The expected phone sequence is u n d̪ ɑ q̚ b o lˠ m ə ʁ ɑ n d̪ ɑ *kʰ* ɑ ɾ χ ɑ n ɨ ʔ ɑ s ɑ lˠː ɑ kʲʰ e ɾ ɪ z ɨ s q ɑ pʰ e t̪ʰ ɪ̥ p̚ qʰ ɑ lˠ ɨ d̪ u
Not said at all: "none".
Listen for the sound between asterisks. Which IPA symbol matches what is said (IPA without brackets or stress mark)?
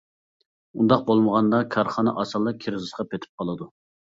kʰ